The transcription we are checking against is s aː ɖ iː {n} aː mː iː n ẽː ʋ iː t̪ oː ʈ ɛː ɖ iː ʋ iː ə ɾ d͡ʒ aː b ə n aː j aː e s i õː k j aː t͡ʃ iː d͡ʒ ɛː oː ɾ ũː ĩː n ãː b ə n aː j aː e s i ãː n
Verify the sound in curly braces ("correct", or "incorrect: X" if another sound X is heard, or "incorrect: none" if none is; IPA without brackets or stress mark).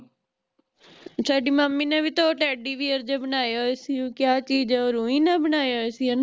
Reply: incorrect: m